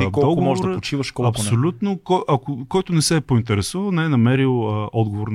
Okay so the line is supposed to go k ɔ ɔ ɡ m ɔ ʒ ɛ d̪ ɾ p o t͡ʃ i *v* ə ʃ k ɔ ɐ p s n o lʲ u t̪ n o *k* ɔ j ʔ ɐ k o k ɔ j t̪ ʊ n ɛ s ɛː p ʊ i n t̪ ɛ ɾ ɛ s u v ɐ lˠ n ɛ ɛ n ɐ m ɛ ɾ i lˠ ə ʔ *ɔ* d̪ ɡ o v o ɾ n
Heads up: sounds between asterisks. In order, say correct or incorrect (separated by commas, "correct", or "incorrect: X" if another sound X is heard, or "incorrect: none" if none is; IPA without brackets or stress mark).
correct, correct, correct